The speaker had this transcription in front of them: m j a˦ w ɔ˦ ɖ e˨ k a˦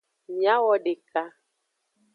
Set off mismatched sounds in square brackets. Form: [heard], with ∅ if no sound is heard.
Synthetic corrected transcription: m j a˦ w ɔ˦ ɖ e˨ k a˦

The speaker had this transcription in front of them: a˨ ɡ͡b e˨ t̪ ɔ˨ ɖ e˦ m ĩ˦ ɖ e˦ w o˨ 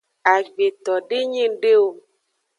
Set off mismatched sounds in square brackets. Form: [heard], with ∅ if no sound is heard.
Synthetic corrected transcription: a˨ ɡ͡b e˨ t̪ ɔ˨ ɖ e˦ [ɲ] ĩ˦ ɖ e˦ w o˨

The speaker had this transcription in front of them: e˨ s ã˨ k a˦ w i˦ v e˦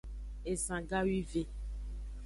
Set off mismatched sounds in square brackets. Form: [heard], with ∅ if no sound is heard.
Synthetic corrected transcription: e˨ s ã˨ [ɡ] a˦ w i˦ v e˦

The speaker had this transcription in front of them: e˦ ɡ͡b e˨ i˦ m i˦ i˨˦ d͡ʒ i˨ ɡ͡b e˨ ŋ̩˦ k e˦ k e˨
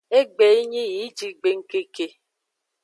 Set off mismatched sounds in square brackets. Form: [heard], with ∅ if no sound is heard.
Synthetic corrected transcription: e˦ ɡ͡b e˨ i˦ [ɲ] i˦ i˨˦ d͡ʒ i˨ ɡ͡b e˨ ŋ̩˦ k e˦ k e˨

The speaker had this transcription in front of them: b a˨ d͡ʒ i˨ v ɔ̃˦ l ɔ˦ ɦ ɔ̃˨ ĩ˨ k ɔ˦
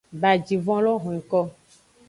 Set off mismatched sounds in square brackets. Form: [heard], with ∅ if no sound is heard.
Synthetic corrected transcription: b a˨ d͡ʒ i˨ v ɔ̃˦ l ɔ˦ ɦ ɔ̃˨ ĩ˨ k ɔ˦

